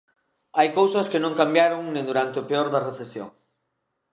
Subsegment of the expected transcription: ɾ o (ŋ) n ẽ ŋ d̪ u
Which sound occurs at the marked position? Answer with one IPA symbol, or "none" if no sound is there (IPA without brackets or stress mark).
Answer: ŋ